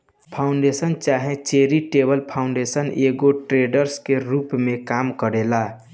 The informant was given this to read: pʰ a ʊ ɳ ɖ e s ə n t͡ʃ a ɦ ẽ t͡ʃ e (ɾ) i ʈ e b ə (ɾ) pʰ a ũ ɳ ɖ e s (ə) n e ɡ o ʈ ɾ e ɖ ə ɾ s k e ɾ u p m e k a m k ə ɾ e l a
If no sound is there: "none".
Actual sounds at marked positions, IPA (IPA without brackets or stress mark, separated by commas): ɾ, l, ə